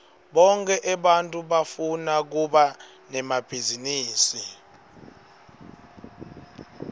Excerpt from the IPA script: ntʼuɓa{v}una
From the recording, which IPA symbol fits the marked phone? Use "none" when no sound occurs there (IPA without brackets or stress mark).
f